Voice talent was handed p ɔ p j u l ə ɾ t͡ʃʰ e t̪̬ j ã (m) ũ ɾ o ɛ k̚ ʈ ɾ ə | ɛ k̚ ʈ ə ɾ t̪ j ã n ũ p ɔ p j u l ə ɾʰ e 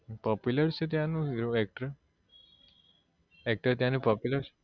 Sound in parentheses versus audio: incorrect: n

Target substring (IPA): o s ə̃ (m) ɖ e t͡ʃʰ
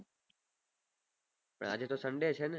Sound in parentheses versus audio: incorrect: ɳ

